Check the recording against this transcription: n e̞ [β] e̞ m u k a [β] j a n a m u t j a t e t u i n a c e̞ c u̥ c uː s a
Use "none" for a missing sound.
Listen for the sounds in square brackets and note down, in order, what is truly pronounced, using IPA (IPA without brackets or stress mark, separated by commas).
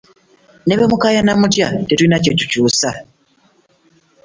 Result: β, none